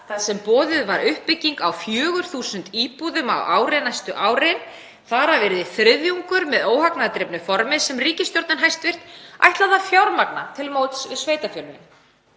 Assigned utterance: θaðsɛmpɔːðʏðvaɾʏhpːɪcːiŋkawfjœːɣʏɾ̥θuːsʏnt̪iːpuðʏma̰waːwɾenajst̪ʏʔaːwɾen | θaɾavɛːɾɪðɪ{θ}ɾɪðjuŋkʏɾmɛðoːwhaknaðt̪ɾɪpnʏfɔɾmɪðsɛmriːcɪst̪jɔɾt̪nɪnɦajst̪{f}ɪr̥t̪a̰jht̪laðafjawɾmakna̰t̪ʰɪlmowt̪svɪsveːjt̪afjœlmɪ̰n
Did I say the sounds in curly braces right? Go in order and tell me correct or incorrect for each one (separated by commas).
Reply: correct, incorrect